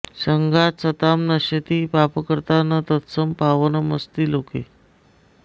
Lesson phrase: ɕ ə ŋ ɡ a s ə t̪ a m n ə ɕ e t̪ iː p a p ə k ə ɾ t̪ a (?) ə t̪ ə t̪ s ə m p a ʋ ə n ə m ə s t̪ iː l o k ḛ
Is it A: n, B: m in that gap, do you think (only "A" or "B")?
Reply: A